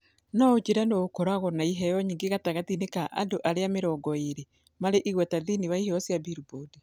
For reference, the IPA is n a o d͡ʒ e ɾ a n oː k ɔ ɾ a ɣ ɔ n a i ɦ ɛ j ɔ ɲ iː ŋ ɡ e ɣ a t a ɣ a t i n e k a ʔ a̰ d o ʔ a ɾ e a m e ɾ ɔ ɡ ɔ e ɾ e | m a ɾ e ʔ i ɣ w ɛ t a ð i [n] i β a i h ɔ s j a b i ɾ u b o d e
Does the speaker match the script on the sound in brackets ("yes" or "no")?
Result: yes